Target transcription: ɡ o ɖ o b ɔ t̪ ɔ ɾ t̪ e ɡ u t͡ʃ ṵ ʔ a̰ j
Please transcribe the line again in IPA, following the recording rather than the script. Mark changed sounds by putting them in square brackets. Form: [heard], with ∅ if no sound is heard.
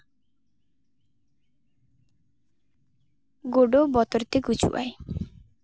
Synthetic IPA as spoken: ɡ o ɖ o b ɔ t̪ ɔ ɾ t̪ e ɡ u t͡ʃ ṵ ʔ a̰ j

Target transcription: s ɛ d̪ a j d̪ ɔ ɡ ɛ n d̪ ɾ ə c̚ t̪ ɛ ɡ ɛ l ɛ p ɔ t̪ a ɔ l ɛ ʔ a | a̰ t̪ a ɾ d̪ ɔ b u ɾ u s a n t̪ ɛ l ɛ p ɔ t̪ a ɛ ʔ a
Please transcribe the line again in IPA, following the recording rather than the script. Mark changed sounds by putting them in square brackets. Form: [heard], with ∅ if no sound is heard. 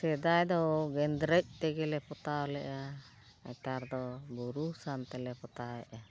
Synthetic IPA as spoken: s ɛ d̪ a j d̪ ɔ ɡ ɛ n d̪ ɾ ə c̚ t̪ ɛ ɡ ɛ l ɛ p ɔ t̪ a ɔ l ɛ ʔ a | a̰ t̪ a ɾ d̪ ɔ b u ɾ u s a n t̪ ɛ l ɛ p ɔ t̪ a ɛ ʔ a

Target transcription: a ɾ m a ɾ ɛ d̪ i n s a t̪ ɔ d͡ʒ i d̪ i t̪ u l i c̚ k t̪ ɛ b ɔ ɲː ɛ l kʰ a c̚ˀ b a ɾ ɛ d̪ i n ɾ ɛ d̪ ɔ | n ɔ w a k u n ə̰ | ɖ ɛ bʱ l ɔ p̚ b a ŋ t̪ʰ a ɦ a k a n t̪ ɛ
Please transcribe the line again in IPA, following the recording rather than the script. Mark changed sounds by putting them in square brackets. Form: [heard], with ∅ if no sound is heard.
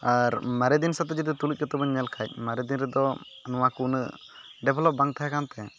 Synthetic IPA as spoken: a ɾ m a ɾ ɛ d̪ i n s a t̪ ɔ d͡ʒ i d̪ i t̪ u l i c̚ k t̪ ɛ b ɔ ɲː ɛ l kʰ a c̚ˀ [m] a ɾ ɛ d̪ i n ɾ ɛ d̪ ɔ | n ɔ w a k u n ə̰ | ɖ ɛ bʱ l ɔ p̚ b a ŋ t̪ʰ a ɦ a k a n t̪ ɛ

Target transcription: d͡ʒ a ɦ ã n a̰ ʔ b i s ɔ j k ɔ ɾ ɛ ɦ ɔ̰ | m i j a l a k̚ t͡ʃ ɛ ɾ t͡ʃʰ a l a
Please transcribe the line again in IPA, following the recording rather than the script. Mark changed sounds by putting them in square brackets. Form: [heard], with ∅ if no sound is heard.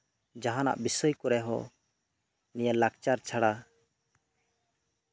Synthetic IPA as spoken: d͡ʒ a ɦ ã n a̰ ʔ b i s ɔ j k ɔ ɾ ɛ ɦ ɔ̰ | [n] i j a l a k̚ t͡ʃ [a] ɾ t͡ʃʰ a [ɽ] a

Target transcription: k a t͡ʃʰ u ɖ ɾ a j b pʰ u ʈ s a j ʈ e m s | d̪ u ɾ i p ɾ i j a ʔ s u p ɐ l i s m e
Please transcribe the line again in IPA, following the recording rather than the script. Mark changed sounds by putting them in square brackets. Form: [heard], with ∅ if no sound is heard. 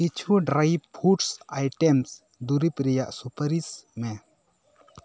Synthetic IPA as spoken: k [i] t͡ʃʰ u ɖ ɾ a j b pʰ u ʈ s a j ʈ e m s | d̪ u ɾ i p ɾ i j a ʔ s u p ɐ [ɾ] i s m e

